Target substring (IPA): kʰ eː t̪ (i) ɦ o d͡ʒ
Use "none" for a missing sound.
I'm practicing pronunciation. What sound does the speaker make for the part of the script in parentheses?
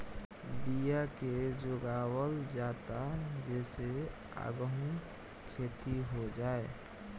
i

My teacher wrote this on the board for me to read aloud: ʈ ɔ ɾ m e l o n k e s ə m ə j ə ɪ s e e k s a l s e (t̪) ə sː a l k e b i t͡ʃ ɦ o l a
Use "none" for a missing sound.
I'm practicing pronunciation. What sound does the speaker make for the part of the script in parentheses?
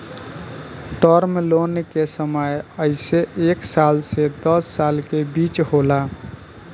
d̪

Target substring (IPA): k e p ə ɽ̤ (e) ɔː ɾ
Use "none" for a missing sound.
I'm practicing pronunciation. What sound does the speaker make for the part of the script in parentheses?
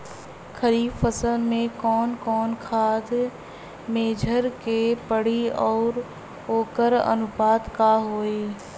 i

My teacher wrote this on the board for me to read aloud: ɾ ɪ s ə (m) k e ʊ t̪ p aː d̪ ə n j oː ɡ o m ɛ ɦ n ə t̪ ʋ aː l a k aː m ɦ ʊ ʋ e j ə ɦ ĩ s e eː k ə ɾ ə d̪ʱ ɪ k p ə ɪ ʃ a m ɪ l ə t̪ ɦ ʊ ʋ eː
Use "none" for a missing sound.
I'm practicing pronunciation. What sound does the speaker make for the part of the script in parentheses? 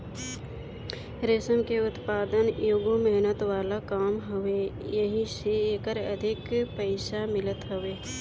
m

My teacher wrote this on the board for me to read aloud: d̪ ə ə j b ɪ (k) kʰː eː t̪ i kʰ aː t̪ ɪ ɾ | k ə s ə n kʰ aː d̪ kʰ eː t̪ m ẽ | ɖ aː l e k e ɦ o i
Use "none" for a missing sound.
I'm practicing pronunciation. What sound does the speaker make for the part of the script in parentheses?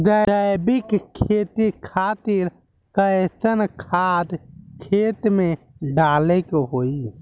k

